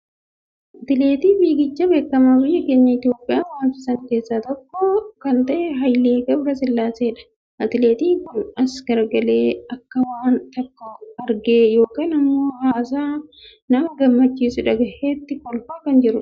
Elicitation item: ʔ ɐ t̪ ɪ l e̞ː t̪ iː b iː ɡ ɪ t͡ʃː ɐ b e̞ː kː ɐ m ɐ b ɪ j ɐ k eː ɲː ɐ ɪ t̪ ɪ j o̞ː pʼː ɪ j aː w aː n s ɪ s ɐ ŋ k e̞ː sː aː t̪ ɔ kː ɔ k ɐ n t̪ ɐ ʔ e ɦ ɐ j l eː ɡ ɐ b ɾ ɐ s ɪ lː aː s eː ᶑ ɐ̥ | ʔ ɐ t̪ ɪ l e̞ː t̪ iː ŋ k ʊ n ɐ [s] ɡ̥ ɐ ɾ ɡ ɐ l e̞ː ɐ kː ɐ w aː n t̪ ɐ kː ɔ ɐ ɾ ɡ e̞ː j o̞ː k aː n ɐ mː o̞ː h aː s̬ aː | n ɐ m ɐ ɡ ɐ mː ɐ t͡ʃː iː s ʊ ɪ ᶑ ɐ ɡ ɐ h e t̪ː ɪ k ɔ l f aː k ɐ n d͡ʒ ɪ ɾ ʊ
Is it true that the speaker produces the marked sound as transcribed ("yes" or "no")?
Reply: yes